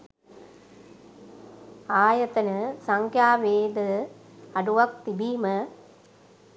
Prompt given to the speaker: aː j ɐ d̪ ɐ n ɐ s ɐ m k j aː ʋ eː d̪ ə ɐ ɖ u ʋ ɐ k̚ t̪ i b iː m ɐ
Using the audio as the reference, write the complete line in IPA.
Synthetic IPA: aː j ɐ t̪ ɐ n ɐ s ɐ ŋ k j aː ʋ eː d̪ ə ɐ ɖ u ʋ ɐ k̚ t̪ i b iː m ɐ

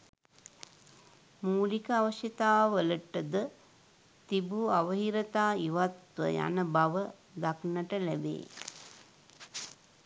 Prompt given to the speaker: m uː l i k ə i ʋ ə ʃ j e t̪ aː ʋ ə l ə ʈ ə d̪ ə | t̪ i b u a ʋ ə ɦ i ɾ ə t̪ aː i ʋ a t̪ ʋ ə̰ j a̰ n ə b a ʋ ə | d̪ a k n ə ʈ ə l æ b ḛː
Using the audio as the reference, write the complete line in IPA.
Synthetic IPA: m uː l i k ə a ʋ ə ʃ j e t̪ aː ʋ ə l ə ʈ ə d̪ ə | t̪ i b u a ʋ ə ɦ i ɾ ə t̪ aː i ʋ a t̪ ʋ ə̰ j a̰ n ə b a ʋ ə | d̪ a k n ə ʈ ə l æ b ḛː

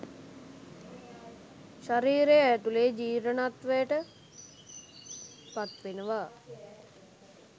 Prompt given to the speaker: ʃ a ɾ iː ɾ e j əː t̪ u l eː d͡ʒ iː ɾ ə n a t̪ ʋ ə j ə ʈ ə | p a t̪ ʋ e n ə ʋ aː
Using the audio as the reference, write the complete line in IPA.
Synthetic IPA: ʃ a ɾ iː ɾ e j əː t̪ u l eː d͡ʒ iː ɾ ə n a t̪ ʋ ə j ə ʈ ə | p a t̪ ʋ e n ə ʋ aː

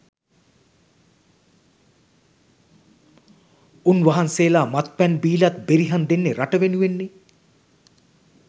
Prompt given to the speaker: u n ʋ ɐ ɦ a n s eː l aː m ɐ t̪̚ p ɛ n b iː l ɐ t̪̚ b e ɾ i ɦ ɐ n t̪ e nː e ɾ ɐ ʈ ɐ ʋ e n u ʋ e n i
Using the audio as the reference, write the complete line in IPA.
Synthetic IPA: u n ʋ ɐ ɦ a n s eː l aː m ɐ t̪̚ p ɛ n b iː l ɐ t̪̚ b e ɾ i ɦ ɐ n d̪ e nː e ɾ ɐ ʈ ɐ ʋ e n u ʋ e nː i

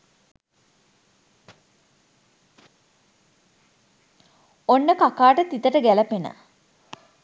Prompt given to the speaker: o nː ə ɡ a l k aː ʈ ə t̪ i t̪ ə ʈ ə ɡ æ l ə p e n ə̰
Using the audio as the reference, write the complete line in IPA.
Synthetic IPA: o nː ə k a k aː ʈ ə t̪ i t̪ ə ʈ ə ɡ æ l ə p e n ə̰

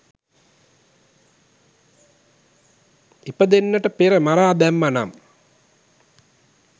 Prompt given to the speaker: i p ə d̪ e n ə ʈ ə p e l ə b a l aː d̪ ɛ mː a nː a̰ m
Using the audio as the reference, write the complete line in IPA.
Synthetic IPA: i p ə d̪ e nː ə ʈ ə p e ɾ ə m a ɾ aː d̪ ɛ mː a n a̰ m

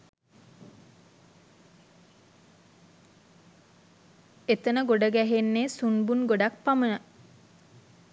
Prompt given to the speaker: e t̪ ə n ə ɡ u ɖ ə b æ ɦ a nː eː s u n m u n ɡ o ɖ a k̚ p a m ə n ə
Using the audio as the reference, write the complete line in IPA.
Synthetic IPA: e t̪ ə n ə ɡ o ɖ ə ɡ æ ɦ e nː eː s u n b u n ɡ o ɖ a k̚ p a m ə n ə

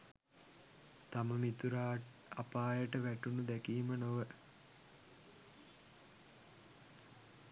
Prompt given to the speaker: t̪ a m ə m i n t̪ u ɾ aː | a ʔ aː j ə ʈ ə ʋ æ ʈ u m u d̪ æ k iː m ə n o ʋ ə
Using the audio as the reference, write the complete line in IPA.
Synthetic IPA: t̪ a m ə m i t̪ u ɾ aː | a p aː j ə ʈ ə ʋ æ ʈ u n u d̪ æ k iː m ə n o ʋ ə

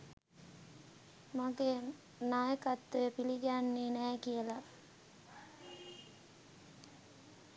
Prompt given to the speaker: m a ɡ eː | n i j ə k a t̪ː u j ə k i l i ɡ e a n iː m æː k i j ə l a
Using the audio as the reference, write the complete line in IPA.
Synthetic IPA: m a ɡ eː | n a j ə k a t̪ː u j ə p i l i ɡ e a nː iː n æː k i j ə l a

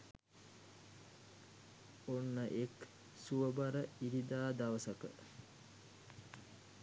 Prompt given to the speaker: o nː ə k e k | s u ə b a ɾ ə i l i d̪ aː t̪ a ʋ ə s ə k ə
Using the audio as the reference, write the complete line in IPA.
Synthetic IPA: o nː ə ʔ e k | s u ə b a ɾ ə i ɾ i d̪ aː d̪ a ʋ ə s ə k ə

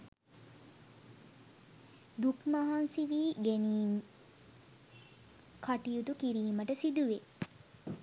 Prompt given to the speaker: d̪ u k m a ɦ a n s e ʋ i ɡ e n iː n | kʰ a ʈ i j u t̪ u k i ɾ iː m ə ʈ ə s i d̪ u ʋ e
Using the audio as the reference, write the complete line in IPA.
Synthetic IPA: d̪ u k m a ɦ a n s i ʋ iː ɡ e n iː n | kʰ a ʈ i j u t̪ u k i ɾ iː m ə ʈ ə s i d̪ u ʋ e

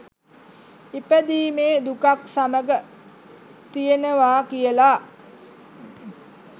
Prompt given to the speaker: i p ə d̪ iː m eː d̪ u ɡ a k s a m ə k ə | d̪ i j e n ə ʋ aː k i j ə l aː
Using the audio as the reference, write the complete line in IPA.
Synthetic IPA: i p ə d̪ iː m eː d̪ u k a k s a m ə ɡ ə | t̪ i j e n ə ʋ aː k i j ə l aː

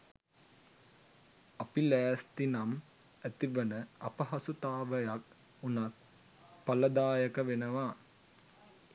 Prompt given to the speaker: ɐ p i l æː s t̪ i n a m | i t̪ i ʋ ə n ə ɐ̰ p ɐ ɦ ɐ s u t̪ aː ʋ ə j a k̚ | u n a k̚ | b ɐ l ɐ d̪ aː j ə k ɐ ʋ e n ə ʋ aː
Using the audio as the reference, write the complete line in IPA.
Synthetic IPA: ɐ p i l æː s t̪ i n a m | æ t̪ i ʋ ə n ə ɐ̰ p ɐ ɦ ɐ s u t̪ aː ʋ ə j a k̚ | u n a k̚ | p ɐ l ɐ d̪ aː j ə k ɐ ʋ e n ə ʋ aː

